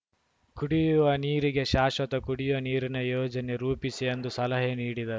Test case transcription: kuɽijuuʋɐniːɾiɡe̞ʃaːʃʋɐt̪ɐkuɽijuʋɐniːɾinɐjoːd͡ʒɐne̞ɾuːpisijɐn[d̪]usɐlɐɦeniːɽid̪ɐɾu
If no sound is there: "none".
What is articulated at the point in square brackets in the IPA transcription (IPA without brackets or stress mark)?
d̪